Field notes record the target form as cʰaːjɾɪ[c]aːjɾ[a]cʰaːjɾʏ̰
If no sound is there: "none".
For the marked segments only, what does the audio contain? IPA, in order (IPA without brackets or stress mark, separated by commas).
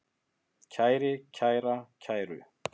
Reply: cʰ, a